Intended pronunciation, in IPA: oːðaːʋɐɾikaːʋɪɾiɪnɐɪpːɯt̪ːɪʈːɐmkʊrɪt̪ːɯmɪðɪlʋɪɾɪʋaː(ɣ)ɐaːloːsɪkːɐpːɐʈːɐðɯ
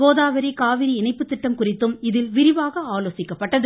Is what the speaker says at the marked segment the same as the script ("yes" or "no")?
yes